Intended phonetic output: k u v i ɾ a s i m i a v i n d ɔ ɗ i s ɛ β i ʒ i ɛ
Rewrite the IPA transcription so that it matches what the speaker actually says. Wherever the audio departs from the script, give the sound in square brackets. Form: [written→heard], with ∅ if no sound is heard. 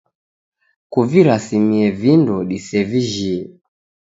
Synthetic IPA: k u v i ɾ a s i m i [a→ɛ] v i n d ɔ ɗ i s ɛ [β→v] i ʒ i ɛ